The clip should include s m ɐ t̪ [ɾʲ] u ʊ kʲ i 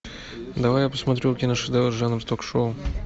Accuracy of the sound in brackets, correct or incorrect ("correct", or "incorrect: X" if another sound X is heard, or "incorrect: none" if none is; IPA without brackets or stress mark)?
correct